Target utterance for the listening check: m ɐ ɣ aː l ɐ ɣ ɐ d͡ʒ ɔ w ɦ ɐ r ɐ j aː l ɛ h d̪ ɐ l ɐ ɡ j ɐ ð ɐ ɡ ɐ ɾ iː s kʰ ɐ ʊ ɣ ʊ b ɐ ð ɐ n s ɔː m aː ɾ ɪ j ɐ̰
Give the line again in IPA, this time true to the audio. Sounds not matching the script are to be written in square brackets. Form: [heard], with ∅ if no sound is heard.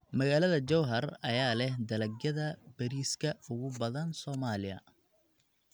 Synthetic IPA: m ɐ ɣ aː l ɐ [ð] ɐ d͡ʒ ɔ w ɦ ɐ r ɐ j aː l ɛ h d̪ ɐ l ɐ ɡ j ɐ ð ɐ [b] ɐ ɾ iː s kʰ ɐ ʊ ɣ ʊ b ɐ ð ɐ n s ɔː m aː [l] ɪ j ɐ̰